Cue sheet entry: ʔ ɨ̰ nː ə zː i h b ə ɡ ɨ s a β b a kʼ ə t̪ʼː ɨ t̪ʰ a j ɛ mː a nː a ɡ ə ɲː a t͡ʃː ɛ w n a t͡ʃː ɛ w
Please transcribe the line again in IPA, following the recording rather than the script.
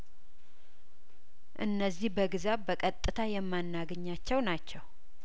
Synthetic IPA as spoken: ʔ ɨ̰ nː ə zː i h b ə ɡ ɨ z a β b ə kʼ ə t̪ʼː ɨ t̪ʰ a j ɛ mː a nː a ɡ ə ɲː a t͡ʃː ɛ w n a t͡ʃː ɛ w

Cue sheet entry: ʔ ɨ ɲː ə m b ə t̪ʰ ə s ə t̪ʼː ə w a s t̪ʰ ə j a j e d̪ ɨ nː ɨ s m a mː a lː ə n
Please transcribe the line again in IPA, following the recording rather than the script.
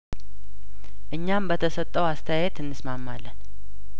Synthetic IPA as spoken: ʔ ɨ ɲː a m b ə t̪ʰ ə s ə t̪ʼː ə w a s t̪ʰ ə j a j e t̪ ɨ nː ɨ s m a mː a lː ə n

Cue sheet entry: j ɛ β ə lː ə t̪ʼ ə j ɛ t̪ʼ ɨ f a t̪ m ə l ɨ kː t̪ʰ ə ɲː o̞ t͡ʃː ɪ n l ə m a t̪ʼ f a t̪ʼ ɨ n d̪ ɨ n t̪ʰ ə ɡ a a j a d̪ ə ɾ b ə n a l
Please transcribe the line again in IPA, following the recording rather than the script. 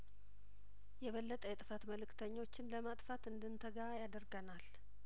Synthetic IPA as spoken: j ɛ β ə lː ə t̪ʼ ə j ɛ t̪ʼ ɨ f a t̪ m ə l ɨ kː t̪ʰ ə ɲː o̞ t͡ʃː ɪ n l ə m a t̪ʼ f a t̪ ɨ n d̪ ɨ n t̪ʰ ə ɡ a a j a d̪ ə ɾ ɡ ə n a l

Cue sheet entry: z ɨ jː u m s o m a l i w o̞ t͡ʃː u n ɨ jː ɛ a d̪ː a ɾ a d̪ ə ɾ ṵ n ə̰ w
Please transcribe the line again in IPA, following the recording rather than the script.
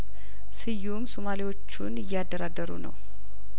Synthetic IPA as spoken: s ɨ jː u m s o m a l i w o̞ t͡ʃː u n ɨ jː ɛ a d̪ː ə ɾ a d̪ ə ɾ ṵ n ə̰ w

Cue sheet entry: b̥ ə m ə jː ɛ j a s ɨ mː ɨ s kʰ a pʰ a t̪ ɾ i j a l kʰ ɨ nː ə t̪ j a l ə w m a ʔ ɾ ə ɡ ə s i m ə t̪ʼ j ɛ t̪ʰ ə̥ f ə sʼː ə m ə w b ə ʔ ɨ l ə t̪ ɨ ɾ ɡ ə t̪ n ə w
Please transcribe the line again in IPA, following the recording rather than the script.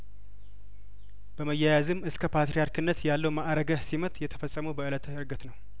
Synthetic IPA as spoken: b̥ ə m ə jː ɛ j a z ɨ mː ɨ s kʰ ə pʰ a t̪ ɾ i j a ɾ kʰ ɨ nː ə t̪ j a lː ə w m a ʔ ɾ ə ɡ ə s i m ə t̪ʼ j ɛ t̪ʰ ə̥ f ə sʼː ə m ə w b ə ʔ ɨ l ə t̪ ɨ ɾ ɡ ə t̪ n ə w

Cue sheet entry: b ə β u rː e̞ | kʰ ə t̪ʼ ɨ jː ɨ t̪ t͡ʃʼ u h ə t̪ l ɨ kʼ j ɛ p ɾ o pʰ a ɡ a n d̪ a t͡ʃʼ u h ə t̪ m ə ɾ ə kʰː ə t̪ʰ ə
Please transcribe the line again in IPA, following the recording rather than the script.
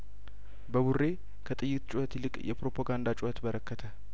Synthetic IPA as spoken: b ə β u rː e̞ | kʰ ə t̪ʼ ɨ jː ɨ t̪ t͡ʃʼ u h ə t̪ l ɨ kʼ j ɛ p ɾ o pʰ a ɡ a n d̪ a t͡ʃʼ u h ə t̪ b ə ɾ ə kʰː ə t̪ʰ ə

